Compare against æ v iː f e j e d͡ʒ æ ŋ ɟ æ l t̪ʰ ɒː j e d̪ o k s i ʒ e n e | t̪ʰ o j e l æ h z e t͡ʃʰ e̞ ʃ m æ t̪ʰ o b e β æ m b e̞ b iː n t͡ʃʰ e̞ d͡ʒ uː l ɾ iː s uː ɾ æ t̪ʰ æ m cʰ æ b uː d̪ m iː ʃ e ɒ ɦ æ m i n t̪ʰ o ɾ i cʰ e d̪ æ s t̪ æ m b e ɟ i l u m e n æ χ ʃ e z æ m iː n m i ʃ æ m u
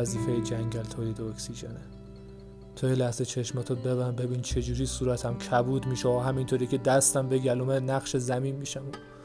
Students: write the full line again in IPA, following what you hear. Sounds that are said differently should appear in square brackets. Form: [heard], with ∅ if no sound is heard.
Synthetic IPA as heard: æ [z] iː f e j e d͡ʒ æ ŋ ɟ æ l t̪ʰ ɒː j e d̪ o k s i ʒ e n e | t̪ʰ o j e l æ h z e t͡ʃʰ e̞ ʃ m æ t̪ʰ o b e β æ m b e̞ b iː n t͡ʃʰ e̞ d͡ʒ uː [∅] ɾ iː s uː ɾ æ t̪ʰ æ m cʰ æ b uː d̪ m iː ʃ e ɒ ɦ æ m i n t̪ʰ o ɾ i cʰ e d̪ æ s t̪ æ m b e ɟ [æ] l u m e n æ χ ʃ e z æ m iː n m i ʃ æ m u